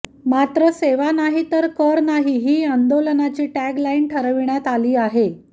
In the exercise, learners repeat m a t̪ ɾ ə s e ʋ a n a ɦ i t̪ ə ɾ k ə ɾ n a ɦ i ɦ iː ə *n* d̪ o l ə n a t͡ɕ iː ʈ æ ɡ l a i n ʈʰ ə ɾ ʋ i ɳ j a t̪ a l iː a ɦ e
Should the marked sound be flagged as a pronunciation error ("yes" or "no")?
no